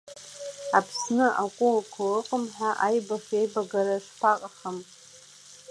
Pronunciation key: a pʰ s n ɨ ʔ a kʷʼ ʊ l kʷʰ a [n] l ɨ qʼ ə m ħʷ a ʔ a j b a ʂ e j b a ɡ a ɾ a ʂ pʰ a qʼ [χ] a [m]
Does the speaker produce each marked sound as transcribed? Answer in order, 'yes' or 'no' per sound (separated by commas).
no, yes, yes